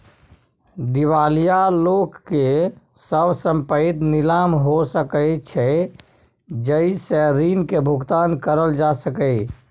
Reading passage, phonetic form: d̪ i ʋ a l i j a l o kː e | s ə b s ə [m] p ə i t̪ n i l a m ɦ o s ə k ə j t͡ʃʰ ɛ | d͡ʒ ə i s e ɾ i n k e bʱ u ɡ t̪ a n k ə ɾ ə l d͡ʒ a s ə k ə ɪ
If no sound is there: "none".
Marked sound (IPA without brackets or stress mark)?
m